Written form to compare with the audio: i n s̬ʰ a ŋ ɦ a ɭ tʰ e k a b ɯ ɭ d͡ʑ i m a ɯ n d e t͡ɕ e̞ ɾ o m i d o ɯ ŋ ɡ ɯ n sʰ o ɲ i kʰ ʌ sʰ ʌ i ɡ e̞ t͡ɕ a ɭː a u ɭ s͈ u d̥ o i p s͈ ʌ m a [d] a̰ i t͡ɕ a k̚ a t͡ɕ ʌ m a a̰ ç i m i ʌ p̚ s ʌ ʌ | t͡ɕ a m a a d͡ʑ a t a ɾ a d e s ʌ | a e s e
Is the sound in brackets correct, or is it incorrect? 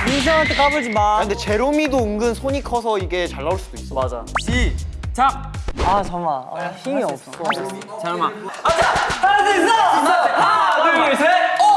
incorrect